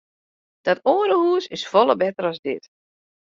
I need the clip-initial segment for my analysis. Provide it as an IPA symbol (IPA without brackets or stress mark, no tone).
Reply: d̥